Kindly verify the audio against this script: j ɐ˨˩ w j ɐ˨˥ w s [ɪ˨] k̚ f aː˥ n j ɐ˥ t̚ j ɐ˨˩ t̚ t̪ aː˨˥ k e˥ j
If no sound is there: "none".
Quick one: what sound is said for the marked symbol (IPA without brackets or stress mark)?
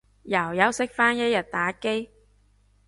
ɪ˥